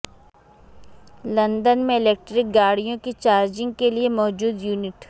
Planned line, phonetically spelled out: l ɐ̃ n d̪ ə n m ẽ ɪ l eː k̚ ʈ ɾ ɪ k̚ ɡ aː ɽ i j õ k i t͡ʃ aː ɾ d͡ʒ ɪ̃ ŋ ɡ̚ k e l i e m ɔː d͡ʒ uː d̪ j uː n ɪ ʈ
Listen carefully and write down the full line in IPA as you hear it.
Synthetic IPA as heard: l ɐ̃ n d̪ ə n m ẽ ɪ l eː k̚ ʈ ɾ ɪ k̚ ɡ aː ɽ i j õ k i t͡ʃ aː ɾ d͡ʒ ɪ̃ ŋ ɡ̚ k e l i e m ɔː d͡ʒ uː d̪ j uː n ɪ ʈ